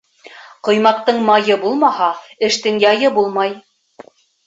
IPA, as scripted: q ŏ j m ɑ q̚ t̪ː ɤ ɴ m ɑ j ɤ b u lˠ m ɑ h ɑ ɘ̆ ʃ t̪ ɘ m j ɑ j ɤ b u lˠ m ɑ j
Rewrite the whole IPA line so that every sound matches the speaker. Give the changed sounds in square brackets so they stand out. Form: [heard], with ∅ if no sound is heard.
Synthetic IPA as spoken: q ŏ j m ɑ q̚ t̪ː ɤ ɴ m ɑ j ɤ b u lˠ m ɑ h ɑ ɘ̆ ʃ t̪ ɘ [ŋ] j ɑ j ɤ b u lˠ m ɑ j